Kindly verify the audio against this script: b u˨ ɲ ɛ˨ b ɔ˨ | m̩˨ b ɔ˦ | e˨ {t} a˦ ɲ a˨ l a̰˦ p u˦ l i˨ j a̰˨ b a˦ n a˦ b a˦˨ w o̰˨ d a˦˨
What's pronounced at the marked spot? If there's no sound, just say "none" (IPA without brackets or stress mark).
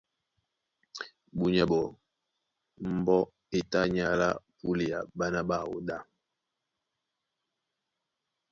t